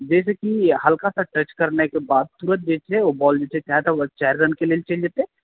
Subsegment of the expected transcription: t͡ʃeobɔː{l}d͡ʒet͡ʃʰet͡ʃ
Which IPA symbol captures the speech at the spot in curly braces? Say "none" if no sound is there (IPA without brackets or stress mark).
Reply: l